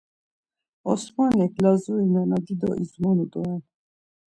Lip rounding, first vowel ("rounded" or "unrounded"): rounded